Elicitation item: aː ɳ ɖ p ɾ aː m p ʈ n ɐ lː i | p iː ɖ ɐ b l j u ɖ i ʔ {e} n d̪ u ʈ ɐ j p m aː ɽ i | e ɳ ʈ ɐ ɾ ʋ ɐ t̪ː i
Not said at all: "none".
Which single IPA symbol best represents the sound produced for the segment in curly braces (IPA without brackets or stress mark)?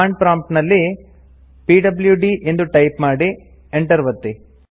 e